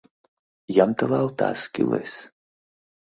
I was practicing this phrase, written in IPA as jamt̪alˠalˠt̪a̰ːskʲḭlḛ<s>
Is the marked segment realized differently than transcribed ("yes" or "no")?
no